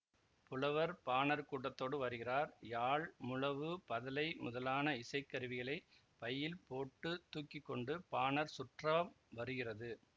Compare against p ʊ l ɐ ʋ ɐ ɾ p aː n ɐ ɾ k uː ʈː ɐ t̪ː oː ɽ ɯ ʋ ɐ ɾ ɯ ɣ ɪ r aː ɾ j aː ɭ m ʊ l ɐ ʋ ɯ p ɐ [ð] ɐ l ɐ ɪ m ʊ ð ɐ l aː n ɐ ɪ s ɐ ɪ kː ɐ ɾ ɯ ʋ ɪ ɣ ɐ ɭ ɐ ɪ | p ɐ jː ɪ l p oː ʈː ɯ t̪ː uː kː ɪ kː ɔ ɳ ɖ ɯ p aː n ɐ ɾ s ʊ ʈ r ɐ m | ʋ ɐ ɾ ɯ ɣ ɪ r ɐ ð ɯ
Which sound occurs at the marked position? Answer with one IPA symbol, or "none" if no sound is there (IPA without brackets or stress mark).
ð